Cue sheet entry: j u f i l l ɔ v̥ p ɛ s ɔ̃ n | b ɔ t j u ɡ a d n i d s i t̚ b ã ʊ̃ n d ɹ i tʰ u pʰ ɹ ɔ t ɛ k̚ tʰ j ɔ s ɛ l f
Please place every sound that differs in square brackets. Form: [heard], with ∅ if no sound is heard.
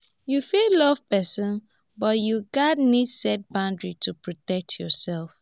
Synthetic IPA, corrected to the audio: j u f i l l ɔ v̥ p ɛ s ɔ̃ n | b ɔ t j u ɡ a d n i d s [ɛ] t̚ b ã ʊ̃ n d ɹ i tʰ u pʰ ɹ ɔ t ɛ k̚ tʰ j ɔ s ɛ l f